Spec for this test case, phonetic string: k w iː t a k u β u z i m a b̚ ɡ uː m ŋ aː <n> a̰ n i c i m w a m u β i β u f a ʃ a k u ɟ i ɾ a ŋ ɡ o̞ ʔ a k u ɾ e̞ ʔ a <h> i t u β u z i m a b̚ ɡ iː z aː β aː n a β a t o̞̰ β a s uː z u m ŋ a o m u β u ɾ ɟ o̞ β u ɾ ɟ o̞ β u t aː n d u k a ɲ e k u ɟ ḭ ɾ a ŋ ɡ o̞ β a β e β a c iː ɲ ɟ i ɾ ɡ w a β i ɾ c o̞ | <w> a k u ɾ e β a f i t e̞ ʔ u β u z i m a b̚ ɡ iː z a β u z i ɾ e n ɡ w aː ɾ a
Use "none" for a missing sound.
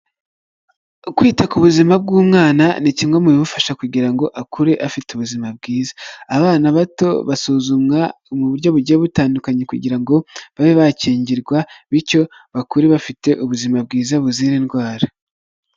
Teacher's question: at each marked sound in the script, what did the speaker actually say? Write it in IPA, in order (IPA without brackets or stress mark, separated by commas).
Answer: n, f, β